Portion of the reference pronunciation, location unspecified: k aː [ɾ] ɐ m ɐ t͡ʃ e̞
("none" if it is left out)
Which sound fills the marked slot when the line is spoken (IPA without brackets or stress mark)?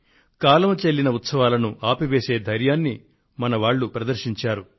l